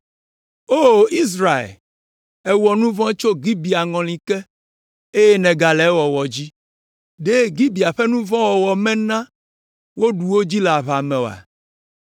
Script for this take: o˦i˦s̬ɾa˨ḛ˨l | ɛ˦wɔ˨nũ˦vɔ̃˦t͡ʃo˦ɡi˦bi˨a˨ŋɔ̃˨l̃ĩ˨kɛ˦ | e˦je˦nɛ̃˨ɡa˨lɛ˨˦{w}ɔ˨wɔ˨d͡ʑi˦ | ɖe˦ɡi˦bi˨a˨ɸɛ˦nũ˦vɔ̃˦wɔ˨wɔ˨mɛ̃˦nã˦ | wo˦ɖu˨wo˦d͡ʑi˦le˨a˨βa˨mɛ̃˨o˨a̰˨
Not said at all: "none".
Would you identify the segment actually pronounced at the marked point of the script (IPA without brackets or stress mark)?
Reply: w